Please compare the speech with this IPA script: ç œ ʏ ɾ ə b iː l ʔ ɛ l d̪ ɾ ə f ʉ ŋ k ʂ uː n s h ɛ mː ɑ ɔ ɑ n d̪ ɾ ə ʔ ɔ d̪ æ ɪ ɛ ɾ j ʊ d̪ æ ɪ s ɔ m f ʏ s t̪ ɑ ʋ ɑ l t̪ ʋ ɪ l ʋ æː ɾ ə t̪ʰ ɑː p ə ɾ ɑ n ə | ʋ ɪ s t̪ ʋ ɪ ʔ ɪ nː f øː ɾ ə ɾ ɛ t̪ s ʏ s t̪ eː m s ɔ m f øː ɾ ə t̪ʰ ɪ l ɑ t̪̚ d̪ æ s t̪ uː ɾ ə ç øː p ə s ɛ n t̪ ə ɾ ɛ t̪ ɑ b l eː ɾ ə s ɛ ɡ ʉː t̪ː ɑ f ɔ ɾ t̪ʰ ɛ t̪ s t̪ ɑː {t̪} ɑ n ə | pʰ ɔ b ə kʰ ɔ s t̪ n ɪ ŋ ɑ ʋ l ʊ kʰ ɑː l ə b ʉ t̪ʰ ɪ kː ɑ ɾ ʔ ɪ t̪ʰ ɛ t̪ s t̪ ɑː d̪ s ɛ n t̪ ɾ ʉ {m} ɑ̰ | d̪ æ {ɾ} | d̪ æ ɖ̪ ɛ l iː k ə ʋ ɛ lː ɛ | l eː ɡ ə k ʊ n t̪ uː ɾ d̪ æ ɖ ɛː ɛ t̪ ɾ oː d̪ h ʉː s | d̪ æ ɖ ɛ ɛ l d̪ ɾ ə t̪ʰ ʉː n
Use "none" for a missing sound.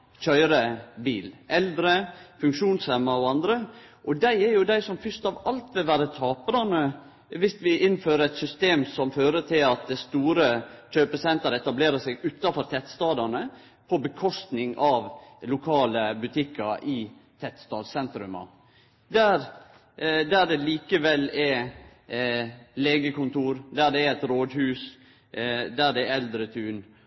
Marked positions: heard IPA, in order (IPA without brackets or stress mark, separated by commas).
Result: d̪, m, ɾ